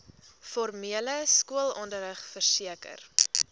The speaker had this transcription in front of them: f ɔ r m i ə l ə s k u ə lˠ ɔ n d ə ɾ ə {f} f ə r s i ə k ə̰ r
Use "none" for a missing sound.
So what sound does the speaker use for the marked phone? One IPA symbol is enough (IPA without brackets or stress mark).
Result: χ